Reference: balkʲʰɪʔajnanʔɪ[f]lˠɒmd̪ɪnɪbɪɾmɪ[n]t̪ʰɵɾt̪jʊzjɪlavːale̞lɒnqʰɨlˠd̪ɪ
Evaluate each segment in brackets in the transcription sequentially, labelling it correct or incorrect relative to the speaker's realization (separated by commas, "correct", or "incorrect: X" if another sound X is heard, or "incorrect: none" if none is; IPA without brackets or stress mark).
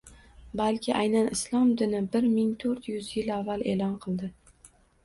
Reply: incorrect: s, incorrect: ŋ